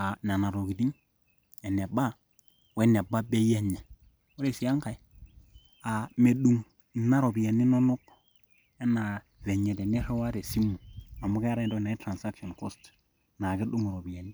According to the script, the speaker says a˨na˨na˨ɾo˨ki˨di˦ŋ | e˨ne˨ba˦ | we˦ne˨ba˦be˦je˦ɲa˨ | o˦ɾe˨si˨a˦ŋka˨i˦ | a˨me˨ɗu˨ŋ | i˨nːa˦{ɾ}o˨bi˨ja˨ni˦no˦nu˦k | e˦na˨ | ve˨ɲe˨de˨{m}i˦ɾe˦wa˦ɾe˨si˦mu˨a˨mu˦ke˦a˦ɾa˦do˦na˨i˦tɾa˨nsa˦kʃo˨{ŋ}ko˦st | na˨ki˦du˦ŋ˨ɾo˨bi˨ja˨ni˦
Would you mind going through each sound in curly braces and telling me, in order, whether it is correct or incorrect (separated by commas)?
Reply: correct, incorrect, incorrect